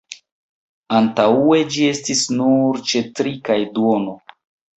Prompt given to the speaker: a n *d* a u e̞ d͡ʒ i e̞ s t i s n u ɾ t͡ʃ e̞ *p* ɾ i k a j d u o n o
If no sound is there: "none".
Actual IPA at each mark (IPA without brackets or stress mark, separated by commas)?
t, t